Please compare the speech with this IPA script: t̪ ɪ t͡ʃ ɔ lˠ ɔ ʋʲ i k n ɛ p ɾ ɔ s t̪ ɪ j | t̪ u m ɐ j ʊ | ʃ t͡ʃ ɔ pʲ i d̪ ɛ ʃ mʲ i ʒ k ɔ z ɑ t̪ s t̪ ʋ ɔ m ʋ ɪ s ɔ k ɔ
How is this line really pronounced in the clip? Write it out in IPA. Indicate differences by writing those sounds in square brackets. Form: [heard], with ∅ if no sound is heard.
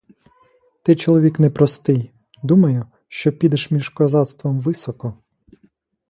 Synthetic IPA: t̪ ɪ t͡ʃ ɔ lˠ ɔ ʋʲ i k n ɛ p ɾ ɔ s t̪ ɪ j | [d̪] u m ɐ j ʊ | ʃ t͡ʃ ɔ pʲ i d̪ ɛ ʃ mʲ i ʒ k ɔ z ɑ t̪ s t̪ ʋ ɔ m ʋ ɪ s ɔ k ɔ